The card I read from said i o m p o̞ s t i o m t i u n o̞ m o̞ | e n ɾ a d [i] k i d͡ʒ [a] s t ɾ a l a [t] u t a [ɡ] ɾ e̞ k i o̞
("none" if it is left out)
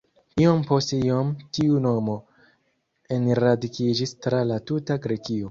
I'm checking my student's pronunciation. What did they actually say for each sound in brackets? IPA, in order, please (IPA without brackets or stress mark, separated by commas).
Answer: i, i, t, ɡ